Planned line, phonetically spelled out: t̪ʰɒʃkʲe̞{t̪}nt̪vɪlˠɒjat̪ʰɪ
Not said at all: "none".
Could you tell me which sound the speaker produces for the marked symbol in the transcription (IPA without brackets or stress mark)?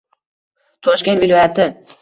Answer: none